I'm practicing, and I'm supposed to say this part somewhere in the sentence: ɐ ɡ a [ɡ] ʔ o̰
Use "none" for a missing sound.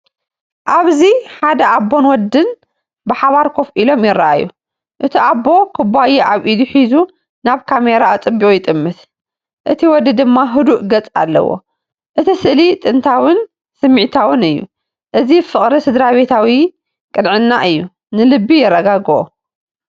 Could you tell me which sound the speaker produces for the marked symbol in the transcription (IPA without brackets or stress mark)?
ɡ